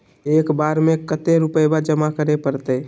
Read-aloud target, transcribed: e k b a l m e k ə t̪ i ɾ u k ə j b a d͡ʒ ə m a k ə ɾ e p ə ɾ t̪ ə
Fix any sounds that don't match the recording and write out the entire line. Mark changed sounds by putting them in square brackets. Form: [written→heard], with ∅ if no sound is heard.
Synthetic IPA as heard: e k b a [l→ɾ] m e k ə t̪ [i→e] ɾ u [k→p] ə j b a d͡ʒ ə m a k ə ɾ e p ə ɾ t̪ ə